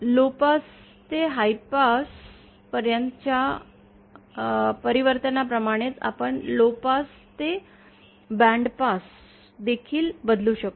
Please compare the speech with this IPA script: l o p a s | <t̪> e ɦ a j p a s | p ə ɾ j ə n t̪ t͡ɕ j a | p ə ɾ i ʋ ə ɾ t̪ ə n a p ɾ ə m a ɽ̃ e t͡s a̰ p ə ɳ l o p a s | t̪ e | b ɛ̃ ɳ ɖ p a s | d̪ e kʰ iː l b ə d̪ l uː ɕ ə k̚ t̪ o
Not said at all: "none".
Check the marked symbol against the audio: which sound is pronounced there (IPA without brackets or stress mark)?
t̪